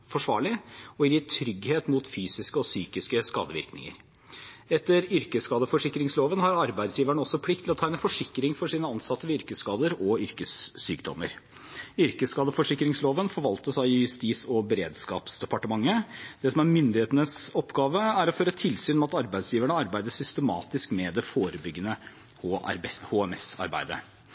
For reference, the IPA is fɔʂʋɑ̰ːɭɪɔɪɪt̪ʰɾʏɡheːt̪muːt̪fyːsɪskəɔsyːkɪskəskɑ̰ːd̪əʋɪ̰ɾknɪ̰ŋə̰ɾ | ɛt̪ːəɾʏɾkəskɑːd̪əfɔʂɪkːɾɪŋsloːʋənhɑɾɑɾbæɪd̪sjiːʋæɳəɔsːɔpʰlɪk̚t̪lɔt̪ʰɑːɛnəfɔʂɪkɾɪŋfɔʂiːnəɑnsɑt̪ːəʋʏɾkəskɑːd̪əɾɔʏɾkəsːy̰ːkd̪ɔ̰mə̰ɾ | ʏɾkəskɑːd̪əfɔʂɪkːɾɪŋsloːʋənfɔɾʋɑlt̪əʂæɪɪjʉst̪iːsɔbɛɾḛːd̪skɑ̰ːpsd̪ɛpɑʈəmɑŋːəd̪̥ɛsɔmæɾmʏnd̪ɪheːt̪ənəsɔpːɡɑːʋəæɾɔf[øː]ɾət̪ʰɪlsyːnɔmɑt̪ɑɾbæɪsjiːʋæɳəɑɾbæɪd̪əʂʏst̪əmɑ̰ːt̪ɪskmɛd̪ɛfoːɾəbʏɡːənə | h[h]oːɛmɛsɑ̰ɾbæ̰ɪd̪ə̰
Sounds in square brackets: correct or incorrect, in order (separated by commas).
correct, correct